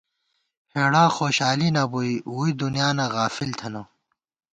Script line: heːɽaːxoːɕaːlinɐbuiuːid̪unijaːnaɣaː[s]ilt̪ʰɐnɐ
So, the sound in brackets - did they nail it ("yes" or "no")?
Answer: no